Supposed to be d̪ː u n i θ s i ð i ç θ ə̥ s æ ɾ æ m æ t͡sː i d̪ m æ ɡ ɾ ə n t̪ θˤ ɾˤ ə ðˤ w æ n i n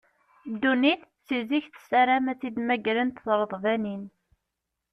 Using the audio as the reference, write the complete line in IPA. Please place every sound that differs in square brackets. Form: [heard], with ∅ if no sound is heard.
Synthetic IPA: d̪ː u n i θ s i [z] i ç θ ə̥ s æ ɾ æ m æ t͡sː i d̪ m æ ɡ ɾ ə n t̪ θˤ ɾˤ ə ðˤ [v] æ n i n

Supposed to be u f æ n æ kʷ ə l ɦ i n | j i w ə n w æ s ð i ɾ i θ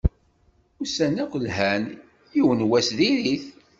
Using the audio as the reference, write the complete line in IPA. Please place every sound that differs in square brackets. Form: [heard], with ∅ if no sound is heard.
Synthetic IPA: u [s] æ n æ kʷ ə l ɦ [æ] n | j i w ə n w æ s ð i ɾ i θ

